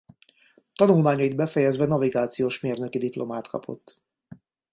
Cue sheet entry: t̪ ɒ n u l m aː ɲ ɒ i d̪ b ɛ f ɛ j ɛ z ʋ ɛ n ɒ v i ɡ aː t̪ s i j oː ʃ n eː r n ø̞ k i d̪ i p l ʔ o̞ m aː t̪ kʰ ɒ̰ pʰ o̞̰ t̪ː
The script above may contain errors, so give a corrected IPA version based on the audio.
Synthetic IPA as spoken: t̪ ɒ n u l m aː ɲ ɒ i d̪ b ɛ f ɛ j ɛ z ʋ ɛ n ɒ v i ɡ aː t̪ s i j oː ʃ m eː r n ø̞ k i d̪ i p l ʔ o̞ m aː t̪ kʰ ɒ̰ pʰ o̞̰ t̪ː